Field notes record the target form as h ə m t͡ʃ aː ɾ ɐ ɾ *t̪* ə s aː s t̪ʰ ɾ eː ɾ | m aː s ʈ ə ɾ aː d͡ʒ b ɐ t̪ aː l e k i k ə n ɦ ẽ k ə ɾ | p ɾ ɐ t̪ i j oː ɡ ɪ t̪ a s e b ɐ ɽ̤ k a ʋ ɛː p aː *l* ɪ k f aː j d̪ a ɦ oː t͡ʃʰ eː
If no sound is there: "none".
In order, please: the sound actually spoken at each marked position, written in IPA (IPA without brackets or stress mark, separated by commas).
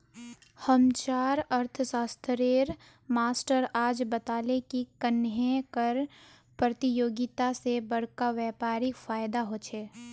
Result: t̪ʰ, ɾ